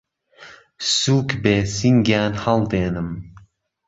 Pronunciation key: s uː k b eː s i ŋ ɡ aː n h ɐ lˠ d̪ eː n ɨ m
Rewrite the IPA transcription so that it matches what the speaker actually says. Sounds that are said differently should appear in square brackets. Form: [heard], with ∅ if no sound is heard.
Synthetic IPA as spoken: s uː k b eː s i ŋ ɡ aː n h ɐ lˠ d̪ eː n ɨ m